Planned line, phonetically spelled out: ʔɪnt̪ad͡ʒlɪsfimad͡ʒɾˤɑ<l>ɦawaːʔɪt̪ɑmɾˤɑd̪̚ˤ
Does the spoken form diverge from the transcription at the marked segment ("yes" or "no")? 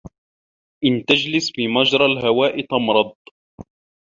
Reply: no